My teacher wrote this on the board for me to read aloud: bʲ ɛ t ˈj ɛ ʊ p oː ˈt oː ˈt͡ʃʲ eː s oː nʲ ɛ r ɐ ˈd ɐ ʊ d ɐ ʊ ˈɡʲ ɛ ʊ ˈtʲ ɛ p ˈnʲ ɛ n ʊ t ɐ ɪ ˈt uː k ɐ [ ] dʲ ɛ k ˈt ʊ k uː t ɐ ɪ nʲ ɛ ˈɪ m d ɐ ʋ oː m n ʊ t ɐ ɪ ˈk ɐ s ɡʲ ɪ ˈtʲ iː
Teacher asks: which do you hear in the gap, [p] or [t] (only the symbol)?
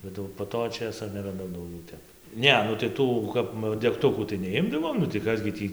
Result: p